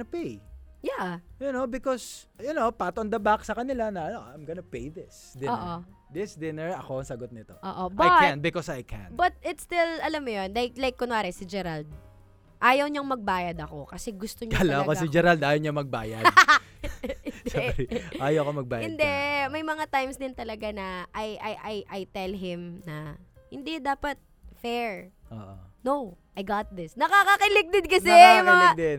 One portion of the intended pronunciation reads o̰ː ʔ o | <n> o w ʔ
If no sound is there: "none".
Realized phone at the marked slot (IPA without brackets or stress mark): n